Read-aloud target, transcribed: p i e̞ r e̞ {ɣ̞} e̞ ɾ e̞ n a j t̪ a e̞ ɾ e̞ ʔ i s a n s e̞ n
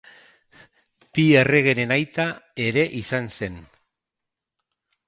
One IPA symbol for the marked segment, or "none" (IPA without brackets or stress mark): ɣ̞